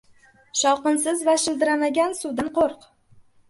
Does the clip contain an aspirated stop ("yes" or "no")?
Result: no